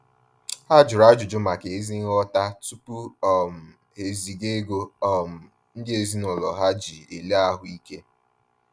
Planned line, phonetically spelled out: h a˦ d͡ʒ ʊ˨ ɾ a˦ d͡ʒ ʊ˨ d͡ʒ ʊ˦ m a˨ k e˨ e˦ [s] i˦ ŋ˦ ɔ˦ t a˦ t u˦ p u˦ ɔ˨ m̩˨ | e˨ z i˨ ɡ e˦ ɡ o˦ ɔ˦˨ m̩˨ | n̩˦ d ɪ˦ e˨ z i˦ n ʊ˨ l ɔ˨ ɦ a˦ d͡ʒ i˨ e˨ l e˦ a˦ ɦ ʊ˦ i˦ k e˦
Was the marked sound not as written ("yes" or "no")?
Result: yes